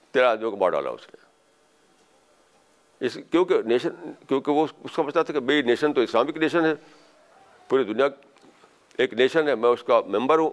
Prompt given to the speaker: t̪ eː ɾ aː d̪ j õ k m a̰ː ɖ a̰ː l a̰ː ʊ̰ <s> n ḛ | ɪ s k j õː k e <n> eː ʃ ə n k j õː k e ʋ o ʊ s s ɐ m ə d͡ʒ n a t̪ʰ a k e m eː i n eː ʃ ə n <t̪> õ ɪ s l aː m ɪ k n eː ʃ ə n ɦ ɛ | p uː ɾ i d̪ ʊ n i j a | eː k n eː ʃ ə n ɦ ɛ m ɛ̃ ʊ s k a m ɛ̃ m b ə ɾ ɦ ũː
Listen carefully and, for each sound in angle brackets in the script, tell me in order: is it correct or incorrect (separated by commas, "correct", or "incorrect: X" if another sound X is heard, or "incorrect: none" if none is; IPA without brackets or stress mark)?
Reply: correct, correct, correct